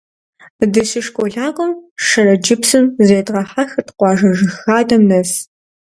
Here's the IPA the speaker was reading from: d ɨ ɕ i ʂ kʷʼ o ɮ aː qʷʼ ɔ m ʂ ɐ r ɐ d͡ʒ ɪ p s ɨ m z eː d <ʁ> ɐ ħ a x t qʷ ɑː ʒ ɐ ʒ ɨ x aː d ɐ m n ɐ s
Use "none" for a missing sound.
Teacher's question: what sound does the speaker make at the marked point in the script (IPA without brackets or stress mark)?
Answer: ʁ